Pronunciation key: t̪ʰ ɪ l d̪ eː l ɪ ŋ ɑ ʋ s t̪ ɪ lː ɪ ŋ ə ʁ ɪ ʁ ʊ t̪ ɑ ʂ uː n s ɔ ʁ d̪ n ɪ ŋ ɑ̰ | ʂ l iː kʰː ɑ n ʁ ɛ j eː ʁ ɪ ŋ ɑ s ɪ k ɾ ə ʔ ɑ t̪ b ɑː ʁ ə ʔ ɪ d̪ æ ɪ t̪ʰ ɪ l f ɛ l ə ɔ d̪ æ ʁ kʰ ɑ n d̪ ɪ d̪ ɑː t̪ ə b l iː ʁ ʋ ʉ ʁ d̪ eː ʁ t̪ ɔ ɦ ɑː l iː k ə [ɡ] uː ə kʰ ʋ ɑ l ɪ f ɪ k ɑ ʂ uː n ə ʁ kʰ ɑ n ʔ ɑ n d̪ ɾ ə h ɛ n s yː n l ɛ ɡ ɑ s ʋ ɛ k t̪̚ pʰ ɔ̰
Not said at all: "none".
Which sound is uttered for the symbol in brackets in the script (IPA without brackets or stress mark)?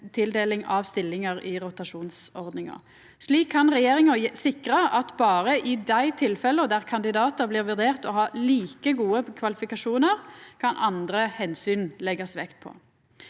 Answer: ɡ